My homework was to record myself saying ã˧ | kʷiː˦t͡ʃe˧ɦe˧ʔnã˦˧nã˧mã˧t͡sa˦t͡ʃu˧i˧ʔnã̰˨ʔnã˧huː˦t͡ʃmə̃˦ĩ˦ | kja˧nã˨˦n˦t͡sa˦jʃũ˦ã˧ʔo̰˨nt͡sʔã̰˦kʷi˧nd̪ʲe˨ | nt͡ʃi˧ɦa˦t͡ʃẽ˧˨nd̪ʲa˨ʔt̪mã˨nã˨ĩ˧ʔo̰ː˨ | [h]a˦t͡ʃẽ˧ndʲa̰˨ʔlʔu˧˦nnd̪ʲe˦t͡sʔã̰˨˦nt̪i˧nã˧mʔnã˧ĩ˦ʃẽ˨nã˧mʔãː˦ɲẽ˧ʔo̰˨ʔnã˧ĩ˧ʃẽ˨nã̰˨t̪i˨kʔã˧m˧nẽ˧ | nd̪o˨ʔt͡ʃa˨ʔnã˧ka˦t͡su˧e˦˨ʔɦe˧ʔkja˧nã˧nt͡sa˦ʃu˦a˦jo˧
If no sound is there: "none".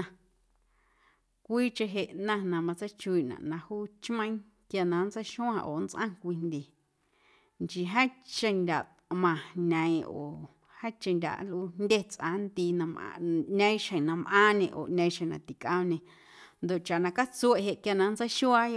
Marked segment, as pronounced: h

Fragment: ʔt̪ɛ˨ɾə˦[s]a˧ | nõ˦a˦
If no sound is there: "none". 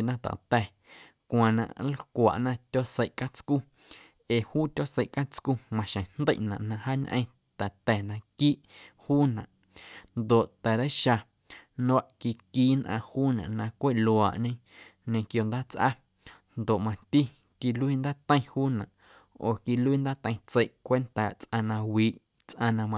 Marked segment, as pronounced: ʃ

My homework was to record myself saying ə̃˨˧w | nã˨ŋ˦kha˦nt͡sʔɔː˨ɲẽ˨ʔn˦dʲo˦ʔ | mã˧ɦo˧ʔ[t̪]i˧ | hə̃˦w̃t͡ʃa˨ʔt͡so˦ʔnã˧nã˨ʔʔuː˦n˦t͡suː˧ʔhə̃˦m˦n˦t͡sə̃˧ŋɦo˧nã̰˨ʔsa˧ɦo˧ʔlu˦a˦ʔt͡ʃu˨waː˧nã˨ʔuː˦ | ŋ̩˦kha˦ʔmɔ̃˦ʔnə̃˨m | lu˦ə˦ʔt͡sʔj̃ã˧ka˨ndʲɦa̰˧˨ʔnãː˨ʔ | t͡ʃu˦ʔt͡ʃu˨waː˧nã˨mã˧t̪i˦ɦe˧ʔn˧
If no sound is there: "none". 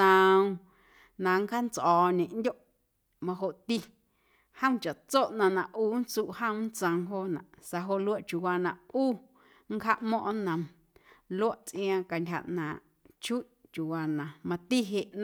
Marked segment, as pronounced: t̪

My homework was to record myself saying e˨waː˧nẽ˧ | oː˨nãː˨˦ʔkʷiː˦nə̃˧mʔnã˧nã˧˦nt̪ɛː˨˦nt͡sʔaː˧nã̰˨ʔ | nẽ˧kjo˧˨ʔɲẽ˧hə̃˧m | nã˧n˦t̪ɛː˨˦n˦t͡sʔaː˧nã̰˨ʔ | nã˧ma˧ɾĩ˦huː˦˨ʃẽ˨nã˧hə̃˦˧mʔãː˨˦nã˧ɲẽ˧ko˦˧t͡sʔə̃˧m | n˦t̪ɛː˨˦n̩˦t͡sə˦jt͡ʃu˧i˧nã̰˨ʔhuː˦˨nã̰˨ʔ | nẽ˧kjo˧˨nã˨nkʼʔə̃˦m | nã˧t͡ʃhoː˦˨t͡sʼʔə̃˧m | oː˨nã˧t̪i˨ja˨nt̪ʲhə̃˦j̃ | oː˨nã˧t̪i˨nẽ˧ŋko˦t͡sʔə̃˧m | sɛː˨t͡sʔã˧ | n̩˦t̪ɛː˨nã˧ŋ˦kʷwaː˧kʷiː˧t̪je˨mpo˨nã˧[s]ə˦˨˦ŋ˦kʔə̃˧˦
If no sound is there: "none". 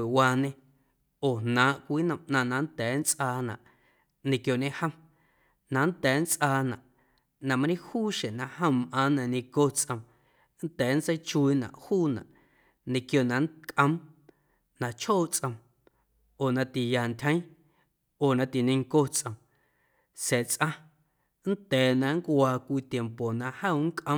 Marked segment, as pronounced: h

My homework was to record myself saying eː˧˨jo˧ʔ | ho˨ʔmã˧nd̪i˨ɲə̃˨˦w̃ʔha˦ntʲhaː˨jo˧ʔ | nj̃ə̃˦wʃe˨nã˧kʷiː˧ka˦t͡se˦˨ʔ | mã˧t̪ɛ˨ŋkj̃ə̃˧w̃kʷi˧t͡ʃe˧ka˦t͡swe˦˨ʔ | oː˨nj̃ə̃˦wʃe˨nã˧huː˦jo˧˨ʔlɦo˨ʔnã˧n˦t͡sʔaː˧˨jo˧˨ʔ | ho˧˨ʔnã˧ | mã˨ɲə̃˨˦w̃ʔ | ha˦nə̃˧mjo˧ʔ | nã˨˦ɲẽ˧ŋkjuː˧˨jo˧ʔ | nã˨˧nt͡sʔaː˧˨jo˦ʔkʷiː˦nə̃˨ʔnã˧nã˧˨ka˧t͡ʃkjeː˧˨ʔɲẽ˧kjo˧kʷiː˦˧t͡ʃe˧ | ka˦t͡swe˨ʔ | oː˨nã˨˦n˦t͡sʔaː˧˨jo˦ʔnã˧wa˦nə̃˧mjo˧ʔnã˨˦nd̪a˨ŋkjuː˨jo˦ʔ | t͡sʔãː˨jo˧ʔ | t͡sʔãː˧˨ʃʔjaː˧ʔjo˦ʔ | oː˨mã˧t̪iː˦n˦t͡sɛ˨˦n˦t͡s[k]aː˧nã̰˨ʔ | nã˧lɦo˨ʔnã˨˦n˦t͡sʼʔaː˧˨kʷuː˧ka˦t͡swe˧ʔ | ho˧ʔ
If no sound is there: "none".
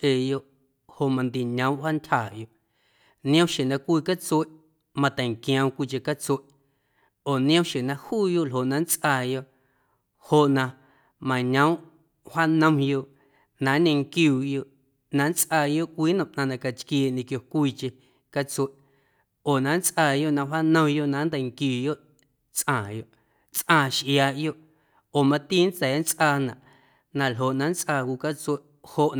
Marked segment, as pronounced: ʔ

